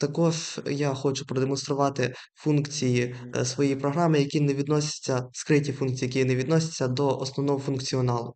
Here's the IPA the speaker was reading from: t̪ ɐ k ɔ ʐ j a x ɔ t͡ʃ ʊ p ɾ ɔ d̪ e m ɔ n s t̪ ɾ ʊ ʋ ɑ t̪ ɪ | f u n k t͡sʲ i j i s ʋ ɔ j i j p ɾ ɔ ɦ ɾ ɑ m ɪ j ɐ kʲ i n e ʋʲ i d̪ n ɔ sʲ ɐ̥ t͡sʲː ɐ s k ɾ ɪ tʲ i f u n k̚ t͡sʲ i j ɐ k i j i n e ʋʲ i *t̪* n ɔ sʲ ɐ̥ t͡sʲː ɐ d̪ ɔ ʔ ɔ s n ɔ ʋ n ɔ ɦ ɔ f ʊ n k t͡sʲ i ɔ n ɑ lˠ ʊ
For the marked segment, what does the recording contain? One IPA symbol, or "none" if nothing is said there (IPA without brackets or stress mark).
d̪